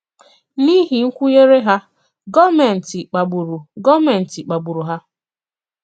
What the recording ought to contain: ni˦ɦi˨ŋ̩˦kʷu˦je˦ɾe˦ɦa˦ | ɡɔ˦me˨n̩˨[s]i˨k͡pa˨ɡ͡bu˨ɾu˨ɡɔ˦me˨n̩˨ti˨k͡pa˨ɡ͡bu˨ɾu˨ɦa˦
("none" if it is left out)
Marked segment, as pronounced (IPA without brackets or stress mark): t